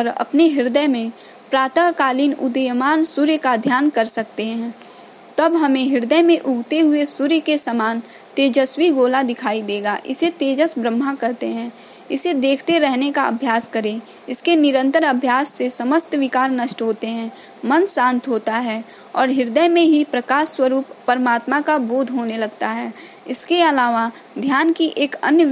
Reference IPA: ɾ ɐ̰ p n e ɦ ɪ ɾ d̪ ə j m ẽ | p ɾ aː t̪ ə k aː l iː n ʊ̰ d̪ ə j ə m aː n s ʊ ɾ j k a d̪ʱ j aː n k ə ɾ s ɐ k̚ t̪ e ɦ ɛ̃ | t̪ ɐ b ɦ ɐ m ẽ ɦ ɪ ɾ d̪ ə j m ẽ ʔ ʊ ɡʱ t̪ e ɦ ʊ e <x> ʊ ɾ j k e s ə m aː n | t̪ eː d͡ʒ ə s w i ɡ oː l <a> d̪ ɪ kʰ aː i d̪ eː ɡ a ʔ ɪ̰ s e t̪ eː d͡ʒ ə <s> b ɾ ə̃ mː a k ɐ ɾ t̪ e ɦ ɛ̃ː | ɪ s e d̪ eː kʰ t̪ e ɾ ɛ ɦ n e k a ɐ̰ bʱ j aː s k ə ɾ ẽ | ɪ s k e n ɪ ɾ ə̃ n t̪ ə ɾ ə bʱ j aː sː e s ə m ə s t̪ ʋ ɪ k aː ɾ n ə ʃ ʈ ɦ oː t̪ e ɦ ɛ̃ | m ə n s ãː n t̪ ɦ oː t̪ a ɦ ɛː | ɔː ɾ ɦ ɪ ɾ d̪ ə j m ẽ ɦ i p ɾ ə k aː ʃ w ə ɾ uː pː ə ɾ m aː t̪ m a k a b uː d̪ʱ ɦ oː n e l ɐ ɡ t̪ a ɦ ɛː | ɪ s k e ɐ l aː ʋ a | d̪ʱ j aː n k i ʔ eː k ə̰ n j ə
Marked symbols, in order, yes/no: no, yes, yes

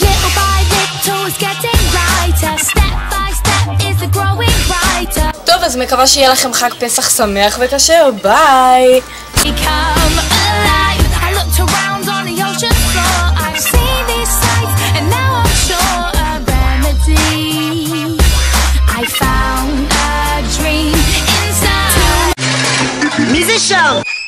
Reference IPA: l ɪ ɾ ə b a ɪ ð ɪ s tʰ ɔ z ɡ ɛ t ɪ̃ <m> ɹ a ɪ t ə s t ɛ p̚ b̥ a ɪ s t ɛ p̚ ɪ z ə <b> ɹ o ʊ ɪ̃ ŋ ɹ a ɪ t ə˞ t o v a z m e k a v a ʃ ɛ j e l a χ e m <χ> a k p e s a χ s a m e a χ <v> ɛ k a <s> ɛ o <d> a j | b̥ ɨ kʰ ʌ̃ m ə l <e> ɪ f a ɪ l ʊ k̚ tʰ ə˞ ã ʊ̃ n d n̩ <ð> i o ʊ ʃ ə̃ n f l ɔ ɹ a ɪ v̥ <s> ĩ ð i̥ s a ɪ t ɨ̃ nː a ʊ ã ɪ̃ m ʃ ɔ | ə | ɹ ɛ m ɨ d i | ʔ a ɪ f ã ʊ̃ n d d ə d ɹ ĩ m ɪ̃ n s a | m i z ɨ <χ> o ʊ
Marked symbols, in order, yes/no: no, no, yes, yes, no, no, no, yes, yes, no

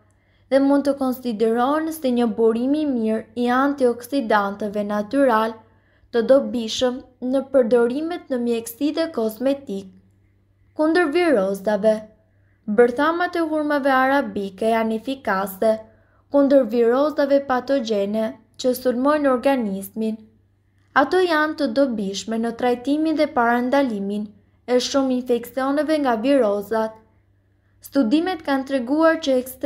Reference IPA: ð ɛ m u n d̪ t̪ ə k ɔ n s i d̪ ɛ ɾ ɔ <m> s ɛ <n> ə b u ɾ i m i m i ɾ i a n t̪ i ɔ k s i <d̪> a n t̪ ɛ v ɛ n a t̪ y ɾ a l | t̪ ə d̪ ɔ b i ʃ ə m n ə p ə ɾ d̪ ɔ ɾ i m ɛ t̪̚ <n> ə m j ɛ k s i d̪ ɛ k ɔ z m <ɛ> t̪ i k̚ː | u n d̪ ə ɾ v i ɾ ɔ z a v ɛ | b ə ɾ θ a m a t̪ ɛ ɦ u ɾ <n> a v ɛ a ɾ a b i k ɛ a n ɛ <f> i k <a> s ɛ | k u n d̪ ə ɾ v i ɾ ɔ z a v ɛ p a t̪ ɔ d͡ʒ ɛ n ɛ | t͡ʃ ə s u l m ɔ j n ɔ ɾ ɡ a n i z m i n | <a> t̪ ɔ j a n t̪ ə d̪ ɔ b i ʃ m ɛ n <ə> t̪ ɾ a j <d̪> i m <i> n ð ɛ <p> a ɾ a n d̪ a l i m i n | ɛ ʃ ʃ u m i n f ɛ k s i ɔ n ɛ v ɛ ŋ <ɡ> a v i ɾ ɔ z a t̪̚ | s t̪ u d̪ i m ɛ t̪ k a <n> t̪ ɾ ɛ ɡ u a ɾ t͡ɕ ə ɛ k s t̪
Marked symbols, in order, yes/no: no, no, yes, yes, yes, no, yes, yes, yes, yes, no, yes, yes, yes, yes

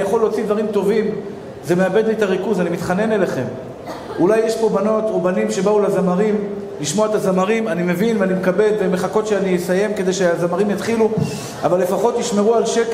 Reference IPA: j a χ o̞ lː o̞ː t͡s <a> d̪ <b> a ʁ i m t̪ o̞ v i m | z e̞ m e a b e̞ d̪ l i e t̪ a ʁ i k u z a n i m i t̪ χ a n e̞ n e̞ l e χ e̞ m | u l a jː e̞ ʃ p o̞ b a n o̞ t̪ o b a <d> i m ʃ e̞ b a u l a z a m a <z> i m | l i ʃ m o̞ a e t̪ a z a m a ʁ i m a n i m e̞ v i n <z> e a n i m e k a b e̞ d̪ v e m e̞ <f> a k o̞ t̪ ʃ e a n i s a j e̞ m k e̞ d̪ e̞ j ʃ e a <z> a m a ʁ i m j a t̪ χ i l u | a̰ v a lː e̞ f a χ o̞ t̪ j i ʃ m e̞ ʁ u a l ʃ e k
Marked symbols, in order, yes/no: no, no, no, no, no, no, yes

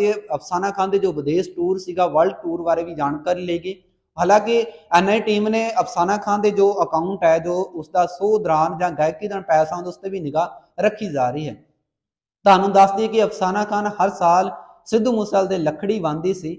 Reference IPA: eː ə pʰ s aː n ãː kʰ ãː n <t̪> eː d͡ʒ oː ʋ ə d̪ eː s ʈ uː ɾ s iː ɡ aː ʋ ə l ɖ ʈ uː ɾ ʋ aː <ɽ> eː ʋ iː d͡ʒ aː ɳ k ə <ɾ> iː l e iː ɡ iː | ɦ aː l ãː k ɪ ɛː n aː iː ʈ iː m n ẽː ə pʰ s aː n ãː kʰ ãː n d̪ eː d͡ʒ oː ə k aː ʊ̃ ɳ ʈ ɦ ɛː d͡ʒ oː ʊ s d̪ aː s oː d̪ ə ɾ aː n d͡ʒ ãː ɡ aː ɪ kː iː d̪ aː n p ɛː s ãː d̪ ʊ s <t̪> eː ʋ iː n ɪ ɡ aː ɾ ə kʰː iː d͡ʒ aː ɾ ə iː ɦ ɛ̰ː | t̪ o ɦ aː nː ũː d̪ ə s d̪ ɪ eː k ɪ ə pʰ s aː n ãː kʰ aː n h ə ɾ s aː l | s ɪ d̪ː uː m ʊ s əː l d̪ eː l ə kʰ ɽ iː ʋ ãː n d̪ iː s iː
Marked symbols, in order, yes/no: no, no, yes, yes

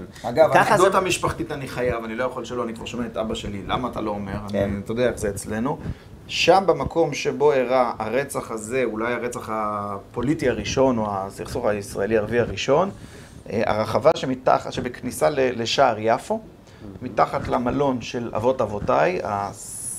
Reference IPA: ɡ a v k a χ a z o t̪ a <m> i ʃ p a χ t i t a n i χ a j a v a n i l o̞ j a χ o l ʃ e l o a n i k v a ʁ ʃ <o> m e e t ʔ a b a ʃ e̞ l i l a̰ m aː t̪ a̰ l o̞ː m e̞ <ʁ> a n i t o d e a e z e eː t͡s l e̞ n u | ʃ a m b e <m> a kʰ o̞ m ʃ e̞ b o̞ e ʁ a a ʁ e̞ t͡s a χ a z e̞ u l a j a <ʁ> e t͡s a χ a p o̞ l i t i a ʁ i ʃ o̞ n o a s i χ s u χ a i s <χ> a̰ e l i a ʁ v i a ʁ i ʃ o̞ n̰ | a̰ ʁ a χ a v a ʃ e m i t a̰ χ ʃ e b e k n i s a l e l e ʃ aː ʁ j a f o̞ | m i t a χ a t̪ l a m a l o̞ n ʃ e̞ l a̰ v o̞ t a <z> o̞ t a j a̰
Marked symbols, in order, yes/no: yes, yes, yes, yes, yes, no, no

